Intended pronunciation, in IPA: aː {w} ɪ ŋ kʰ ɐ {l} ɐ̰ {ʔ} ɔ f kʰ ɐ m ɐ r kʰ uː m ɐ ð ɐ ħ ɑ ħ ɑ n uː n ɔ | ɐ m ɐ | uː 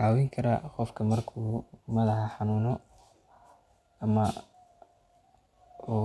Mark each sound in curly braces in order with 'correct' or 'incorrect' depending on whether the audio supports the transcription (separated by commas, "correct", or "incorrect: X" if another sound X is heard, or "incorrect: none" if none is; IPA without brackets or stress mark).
correct, incorrect: ɾ, incorrect: q